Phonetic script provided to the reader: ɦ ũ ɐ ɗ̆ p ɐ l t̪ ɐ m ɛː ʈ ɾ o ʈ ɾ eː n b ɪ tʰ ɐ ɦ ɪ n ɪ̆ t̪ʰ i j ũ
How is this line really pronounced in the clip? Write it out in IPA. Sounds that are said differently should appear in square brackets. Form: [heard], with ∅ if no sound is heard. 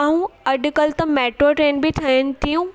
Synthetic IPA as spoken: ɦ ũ ɐ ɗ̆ [k] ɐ l t̪ ɐ m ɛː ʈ ɾ o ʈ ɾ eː n b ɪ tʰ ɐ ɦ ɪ n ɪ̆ [t̪] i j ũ